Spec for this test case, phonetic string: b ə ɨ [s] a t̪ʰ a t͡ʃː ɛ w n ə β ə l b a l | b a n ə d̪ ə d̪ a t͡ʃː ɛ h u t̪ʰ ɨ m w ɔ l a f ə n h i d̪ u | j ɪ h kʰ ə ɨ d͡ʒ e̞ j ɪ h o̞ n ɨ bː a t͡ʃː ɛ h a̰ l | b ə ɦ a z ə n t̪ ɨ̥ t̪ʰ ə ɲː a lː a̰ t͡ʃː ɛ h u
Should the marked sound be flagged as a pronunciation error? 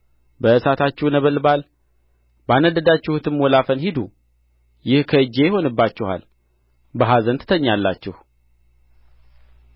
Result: no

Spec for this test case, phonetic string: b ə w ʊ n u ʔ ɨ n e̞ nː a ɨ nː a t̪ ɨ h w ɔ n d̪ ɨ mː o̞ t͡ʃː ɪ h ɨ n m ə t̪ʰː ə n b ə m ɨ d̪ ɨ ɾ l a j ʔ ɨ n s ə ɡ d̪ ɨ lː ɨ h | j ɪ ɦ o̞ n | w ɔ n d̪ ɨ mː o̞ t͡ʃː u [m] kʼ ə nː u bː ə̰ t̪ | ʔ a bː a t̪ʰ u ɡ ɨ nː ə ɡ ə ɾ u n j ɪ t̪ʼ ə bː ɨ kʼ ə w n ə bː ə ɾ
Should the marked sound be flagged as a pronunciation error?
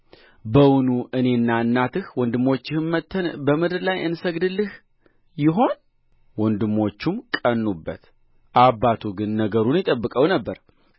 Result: no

